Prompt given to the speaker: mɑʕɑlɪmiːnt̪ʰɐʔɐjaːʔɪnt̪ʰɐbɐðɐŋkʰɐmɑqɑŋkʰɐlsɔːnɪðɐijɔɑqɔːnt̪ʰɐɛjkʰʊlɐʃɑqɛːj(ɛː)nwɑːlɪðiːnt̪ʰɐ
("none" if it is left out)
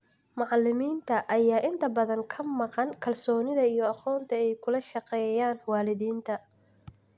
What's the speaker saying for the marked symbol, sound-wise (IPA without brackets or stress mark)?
aː